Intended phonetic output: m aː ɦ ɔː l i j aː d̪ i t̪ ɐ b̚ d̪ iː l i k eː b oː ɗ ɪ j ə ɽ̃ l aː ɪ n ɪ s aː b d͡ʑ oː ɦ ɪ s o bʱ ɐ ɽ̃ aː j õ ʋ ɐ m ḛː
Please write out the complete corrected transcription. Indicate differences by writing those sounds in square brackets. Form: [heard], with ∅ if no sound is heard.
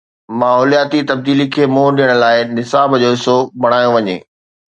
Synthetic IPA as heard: m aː ɦ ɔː l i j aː [t̪] i t̪ ɐ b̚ d̪ iː l i [kʰ] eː [m] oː ɗ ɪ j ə ɽ̃ l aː ɪ n ɪ s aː b d͡ʑ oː ɦ ɪ s o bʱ ɐ ɽ̃ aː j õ ʋ ɐ [ɲ] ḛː